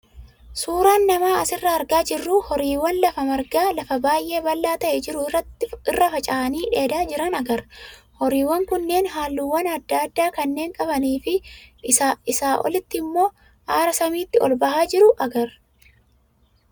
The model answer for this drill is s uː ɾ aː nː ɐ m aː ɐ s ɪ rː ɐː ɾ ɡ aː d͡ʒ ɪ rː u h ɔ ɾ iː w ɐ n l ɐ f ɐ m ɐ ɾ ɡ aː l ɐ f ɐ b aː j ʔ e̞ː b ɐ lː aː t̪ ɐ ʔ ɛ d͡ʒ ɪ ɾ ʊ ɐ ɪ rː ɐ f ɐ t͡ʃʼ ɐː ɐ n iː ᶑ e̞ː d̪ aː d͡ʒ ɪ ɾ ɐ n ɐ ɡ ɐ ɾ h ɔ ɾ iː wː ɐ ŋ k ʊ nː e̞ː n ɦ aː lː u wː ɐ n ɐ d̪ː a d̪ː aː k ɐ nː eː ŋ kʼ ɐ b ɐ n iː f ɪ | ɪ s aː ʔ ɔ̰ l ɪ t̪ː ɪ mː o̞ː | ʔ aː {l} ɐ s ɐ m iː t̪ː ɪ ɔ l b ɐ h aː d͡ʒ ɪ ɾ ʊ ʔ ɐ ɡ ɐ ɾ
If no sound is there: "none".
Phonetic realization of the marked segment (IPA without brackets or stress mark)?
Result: ɾ